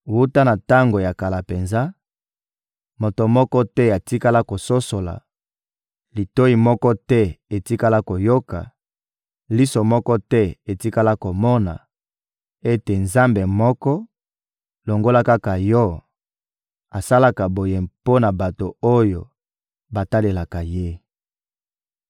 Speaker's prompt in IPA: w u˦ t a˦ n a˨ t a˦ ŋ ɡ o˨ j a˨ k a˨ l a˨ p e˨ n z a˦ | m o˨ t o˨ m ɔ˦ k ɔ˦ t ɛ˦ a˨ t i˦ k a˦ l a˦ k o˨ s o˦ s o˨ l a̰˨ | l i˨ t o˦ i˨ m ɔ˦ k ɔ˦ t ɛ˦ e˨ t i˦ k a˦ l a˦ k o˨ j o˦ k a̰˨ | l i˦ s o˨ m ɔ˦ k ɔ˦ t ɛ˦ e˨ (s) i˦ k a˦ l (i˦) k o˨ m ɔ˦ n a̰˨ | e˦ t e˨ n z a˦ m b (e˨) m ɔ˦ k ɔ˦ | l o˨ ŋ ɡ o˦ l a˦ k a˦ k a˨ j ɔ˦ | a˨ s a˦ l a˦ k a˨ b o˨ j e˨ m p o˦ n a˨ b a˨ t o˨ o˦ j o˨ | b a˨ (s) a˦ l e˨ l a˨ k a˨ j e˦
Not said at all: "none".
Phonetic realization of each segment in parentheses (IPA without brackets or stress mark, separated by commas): t, a˦, e˨, t